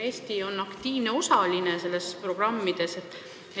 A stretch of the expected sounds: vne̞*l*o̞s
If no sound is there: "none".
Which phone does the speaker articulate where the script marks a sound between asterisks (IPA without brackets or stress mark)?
none